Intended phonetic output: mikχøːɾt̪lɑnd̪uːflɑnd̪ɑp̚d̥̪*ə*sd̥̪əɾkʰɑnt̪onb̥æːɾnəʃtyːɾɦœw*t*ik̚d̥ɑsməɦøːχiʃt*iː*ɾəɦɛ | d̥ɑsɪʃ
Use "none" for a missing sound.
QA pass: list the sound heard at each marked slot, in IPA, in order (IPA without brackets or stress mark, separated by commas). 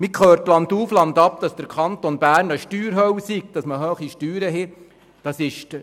ɑ, s, yː